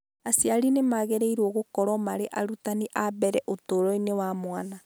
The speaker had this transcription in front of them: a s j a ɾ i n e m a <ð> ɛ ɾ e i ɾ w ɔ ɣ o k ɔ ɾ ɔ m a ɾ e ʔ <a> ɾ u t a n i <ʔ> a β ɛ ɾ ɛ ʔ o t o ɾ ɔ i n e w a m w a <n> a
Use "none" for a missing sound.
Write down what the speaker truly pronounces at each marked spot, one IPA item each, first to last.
ɣ, a, ʔ, n

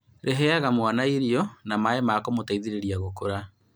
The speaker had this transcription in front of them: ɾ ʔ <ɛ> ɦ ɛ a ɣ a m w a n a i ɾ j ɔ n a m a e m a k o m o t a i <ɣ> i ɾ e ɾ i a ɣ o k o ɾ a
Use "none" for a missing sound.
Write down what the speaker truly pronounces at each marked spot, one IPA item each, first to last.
e, ð

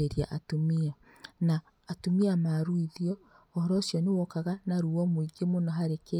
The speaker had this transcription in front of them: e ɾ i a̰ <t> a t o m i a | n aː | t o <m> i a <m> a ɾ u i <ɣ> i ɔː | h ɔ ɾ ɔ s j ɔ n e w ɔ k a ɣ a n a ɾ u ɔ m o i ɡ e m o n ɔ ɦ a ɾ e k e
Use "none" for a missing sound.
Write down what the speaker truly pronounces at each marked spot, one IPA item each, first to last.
ʔ, m, m, ð

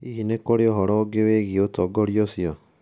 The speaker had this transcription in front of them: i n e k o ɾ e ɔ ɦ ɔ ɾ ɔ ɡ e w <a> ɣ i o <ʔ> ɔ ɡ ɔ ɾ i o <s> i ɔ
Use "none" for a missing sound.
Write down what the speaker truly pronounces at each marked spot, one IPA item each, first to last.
e, t, s

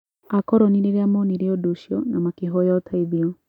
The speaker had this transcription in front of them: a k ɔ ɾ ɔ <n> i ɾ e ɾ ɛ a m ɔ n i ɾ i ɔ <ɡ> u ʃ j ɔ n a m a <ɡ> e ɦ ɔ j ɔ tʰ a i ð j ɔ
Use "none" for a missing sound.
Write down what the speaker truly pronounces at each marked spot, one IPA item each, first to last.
n, d, k

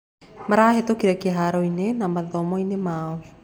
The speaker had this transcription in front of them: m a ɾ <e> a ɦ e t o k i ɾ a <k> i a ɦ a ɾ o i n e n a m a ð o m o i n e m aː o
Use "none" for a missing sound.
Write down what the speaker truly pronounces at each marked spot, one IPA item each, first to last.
a, k

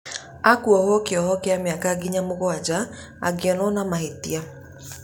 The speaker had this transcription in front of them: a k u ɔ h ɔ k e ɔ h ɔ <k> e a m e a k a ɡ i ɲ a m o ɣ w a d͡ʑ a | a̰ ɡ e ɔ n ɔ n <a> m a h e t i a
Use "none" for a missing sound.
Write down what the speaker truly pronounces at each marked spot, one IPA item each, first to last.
k, a

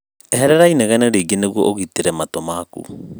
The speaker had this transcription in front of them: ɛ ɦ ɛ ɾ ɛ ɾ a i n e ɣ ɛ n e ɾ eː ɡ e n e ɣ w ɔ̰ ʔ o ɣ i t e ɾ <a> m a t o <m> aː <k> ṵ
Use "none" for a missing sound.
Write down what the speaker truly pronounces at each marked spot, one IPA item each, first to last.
ɛ, m, k

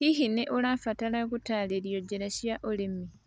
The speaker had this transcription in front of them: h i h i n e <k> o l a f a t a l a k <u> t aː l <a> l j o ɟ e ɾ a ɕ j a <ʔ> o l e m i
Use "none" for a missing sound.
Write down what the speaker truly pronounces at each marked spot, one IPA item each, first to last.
ʔ, u, e, ʔ

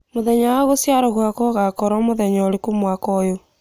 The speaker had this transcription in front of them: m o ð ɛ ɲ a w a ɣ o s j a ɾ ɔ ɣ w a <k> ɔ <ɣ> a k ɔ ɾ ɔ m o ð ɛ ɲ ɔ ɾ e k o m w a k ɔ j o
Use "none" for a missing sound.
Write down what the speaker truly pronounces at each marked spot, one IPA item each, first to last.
k, ɣ

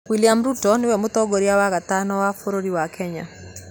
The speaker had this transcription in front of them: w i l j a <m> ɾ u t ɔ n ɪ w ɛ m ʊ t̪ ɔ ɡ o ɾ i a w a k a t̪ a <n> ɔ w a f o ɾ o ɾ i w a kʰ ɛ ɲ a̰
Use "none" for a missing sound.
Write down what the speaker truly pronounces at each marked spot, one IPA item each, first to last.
m, n

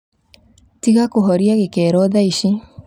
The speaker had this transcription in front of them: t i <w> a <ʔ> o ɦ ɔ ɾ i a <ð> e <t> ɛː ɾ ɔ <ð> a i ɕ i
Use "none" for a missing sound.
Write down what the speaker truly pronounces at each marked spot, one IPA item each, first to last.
ɣ, k, ɣ, k, ð

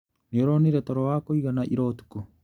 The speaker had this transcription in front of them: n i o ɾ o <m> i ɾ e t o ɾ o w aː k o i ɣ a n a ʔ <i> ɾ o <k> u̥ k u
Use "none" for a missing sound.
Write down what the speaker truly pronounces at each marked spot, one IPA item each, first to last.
n, i, t

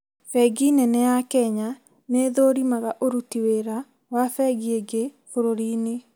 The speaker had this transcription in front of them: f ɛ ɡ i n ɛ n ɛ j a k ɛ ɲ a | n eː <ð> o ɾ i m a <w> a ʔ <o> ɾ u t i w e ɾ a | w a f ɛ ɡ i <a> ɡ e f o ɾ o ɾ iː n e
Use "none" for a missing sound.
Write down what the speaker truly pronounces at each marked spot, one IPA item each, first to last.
ð, ɣ, o, e

